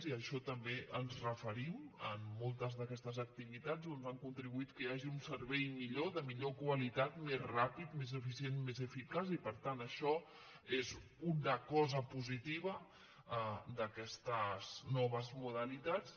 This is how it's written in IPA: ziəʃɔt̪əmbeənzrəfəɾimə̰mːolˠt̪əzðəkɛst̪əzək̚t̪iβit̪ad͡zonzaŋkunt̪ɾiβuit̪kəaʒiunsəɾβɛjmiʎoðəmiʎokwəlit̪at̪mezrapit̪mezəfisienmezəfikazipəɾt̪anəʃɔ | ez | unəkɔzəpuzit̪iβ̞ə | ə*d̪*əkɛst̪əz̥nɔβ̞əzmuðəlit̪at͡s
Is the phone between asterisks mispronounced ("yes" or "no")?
no